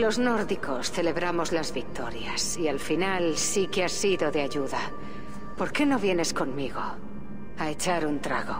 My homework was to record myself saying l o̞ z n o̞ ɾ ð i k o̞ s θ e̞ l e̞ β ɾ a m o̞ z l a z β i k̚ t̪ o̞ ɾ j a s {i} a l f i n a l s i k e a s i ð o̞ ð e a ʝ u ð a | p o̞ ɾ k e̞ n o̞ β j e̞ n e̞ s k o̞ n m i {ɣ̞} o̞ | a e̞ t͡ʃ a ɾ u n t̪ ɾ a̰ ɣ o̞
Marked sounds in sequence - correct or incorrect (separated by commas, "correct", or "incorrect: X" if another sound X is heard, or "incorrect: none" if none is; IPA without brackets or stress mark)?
correct, correct